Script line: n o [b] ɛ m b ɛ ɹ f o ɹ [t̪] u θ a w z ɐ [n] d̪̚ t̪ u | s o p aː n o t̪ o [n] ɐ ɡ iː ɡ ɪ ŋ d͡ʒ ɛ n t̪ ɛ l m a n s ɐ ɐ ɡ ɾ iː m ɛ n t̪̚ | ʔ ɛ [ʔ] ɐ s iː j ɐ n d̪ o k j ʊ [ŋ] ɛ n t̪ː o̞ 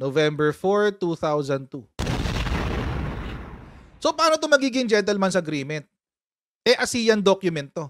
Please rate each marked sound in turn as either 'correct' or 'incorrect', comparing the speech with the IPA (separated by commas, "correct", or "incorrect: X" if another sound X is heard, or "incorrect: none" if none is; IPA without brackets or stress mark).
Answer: incorrect: v, correct, correct, incorrect: m, correct, incorrect: m